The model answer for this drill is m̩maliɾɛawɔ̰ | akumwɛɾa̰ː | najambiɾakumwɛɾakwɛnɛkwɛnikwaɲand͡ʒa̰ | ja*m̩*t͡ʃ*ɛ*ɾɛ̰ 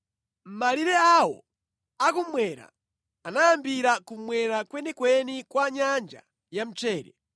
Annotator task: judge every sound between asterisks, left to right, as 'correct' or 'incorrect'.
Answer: correct, incorrect: ɛː

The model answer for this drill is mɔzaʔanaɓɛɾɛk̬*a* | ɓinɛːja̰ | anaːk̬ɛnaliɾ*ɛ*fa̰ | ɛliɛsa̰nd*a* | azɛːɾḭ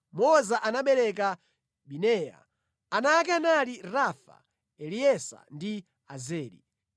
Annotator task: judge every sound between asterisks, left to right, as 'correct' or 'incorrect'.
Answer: correct, incorrect: a, incorrect: i

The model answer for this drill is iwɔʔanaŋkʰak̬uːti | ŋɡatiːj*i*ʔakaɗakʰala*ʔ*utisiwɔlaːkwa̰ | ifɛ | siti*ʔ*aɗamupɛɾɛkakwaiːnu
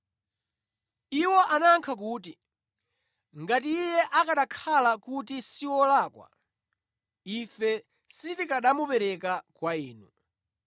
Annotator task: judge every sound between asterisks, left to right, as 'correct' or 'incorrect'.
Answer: incorrect: ɛ, incorrect: k, incorrect: k

